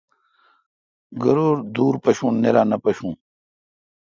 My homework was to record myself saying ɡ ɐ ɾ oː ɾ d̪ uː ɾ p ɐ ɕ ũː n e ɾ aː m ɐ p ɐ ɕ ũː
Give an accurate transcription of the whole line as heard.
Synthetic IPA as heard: ɡ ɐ ɾ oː ɾ d̪ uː ɾ p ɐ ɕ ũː n e ɾ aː n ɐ p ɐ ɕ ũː